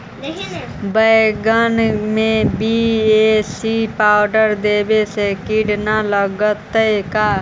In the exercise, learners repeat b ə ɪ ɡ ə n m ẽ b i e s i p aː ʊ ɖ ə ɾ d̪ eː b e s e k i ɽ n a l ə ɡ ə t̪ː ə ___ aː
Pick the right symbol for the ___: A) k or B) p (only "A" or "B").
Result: A